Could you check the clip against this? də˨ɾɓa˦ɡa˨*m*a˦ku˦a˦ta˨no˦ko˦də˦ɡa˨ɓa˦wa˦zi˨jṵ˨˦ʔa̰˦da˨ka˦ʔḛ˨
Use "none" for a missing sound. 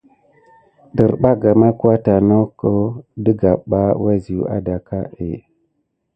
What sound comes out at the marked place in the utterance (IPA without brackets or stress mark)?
m